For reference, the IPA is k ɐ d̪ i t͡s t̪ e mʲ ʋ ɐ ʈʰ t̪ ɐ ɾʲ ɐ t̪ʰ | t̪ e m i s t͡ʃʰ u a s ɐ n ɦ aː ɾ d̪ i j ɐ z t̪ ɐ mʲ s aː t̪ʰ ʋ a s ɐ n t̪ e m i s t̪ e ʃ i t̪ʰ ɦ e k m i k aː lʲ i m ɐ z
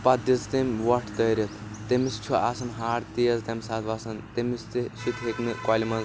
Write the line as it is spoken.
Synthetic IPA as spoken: p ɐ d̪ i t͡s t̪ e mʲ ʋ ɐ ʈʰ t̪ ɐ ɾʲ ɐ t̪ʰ | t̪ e m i s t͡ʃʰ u a s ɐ n ɦ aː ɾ t̪ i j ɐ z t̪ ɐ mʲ s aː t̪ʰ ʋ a s ɐ n t̪ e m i s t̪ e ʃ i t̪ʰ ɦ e k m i k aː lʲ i m ɐ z